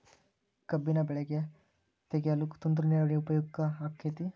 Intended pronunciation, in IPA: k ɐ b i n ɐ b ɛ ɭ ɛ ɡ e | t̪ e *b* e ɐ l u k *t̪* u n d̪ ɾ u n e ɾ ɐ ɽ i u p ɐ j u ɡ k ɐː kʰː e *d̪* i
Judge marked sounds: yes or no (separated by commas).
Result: no, yes, no